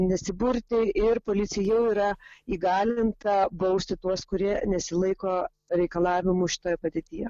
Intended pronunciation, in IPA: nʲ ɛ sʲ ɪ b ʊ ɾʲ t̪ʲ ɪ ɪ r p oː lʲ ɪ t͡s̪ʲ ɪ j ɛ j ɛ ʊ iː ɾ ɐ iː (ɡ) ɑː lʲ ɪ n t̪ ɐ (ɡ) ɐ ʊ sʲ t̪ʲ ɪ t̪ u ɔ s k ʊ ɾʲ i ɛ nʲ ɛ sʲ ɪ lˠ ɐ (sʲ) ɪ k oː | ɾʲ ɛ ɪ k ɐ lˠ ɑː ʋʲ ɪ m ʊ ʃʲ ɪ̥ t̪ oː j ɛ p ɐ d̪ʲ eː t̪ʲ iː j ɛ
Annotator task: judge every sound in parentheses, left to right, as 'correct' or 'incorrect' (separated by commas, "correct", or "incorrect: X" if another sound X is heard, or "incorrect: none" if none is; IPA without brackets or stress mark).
correct, incorrect: b, incorrect: none